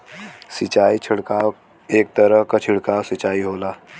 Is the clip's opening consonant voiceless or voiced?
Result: voiceless